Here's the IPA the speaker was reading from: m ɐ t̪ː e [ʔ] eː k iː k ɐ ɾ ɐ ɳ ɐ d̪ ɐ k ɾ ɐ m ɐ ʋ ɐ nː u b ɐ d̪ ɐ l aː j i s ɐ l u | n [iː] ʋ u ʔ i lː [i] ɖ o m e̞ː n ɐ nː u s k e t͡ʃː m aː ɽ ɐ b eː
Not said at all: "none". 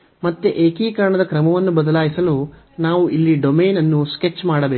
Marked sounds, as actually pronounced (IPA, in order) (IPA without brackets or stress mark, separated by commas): ʔ, aː, i